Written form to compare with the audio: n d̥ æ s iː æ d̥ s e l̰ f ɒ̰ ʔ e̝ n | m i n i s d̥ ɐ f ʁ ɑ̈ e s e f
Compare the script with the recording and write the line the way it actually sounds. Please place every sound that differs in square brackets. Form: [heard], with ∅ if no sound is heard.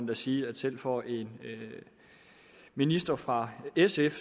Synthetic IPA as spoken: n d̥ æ s iː æ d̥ s e l̰ f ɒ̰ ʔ e̝ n | m i n i s d̥ ɐ f ʁ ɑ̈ e s e f